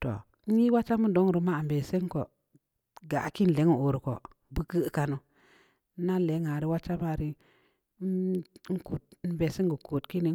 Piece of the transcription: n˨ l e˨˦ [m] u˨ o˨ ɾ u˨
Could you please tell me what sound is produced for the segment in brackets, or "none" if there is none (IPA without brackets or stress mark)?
ŋ